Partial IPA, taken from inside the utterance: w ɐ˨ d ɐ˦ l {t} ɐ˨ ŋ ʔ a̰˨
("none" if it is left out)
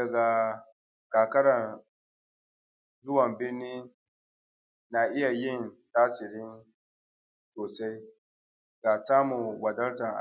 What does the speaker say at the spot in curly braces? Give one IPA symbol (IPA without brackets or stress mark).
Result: t